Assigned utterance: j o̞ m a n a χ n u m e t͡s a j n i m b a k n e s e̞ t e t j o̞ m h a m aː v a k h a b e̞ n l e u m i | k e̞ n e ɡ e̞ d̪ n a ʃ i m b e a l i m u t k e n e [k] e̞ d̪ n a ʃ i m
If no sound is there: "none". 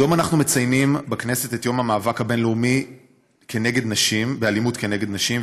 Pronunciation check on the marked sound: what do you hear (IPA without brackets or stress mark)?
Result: ɡ